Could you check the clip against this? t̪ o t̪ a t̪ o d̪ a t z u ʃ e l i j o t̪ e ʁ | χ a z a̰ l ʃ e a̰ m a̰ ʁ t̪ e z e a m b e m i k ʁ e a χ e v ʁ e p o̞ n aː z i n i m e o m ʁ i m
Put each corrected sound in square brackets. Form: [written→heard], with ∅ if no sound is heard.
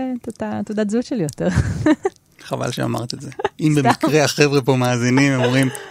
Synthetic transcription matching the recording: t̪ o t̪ a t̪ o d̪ a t z u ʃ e l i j o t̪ e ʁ | χ a [z→v] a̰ l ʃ e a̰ m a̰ ʁ t̪ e z e [a→i] m b e m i k ʁ e a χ e v ʁ e p o̞ [n→m] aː z i n i m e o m ʁ i m